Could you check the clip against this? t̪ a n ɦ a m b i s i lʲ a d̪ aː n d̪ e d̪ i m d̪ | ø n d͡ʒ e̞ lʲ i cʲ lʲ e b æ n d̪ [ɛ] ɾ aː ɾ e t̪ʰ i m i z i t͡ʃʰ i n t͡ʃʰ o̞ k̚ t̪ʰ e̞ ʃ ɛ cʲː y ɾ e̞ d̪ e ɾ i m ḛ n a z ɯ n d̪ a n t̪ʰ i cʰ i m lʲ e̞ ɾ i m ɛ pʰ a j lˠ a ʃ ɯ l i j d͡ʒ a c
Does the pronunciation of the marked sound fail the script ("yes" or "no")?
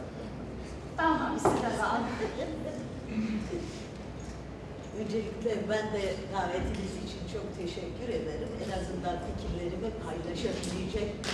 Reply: no